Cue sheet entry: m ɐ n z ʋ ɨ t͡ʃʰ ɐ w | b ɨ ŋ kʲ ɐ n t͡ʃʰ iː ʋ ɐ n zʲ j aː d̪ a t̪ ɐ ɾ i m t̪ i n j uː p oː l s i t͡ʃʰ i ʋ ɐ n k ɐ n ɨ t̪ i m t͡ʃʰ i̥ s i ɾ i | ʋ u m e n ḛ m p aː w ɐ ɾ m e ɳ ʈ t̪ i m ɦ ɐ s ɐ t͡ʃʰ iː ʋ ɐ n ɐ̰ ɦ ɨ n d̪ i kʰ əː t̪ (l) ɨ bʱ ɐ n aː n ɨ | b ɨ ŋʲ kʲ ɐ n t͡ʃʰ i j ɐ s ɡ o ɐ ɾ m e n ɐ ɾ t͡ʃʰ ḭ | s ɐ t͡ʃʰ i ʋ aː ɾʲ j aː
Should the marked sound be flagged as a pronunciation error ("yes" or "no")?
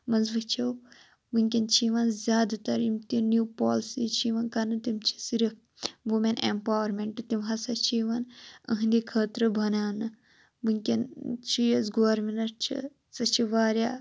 yes